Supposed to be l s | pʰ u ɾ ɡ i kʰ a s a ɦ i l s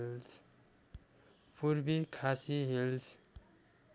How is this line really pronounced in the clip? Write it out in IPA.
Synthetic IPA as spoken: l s | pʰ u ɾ b i kʰ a s i ɦ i l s